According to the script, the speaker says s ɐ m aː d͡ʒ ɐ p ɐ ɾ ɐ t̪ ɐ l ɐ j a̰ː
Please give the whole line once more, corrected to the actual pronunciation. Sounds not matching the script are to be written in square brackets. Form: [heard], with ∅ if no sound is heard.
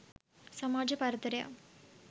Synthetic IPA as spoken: s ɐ m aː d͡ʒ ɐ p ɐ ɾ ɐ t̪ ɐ [ɾ] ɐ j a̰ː